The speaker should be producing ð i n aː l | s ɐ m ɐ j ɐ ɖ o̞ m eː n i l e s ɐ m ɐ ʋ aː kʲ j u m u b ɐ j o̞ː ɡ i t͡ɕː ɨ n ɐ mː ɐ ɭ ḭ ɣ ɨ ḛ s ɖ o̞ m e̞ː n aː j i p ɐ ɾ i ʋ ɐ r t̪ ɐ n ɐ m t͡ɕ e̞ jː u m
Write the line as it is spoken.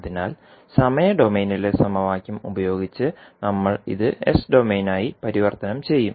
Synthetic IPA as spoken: ð i n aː l | s ɐ m ɐ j ɐ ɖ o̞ m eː n i l e s ɐ m ɐ ʋ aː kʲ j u m u b ɐ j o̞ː ɡ i t͡ɕː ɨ n ɐ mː ɐ ɭ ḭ ð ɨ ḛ s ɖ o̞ m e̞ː n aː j i p ɐ ɾ i ʋ ɐ r t̪ ɐ n ɐ m t͡ɕ e̞ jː u m